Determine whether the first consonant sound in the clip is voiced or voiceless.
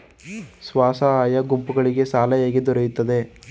voiceless